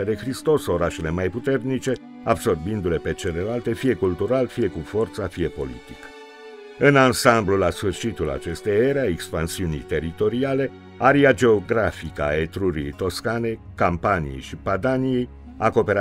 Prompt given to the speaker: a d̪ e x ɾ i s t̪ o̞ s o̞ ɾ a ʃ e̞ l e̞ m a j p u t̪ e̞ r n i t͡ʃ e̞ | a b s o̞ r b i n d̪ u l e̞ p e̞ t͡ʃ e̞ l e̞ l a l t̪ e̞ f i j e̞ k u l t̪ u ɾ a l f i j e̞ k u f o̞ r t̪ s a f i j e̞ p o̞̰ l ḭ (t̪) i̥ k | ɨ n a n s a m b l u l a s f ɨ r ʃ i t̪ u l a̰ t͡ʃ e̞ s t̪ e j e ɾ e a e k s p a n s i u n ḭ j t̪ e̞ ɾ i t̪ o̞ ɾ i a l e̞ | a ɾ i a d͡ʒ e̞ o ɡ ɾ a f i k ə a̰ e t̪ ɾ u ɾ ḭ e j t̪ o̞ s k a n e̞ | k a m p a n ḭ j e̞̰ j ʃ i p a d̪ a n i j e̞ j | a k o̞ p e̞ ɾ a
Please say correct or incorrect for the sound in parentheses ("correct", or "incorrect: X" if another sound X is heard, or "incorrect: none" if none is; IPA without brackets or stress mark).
correct